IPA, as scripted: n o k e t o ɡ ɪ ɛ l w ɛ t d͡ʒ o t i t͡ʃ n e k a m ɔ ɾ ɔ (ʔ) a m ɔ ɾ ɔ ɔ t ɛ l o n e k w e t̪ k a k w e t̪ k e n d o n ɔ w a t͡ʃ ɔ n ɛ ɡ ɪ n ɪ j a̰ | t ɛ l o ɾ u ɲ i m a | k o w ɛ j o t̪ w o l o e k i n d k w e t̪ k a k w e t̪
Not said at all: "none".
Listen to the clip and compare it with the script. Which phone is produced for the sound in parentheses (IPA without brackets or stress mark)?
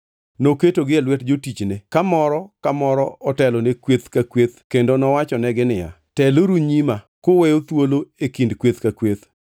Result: k